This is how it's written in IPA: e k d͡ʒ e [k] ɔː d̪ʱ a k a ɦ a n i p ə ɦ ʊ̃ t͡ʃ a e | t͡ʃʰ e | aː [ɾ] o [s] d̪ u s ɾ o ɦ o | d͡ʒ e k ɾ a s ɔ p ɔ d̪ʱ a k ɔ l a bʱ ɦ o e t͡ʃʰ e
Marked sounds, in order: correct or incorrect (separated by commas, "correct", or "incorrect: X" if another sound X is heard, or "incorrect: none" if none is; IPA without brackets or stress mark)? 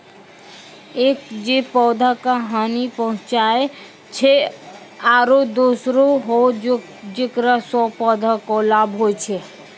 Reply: incorrect: p, correct, incorrect: none